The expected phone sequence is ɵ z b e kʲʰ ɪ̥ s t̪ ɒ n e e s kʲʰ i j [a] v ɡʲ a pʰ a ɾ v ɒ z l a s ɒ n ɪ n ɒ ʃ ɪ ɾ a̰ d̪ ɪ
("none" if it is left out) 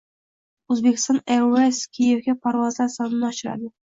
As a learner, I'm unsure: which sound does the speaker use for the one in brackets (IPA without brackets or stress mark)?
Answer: e